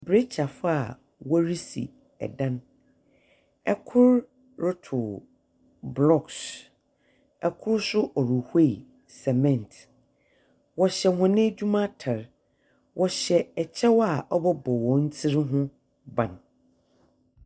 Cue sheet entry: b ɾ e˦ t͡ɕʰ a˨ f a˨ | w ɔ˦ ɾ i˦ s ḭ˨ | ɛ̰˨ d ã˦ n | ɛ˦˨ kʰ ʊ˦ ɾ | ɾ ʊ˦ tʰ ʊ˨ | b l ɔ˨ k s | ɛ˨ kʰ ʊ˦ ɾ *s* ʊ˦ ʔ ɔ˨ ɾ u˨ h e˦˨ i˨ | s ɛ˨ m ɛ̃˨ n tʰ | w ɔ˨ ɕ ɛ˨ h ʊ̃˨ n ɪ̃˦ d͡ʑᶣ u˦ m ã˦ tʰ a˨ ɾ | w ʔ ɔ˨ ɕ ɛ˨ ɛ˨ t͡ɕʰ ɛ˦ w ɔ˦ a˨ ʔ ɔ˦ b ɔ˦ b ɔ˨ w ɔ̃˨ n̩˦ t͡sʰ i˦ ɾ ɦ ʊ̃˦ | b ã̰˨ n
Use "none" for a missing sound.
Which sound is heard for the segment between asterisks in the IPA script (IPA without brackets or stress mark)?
s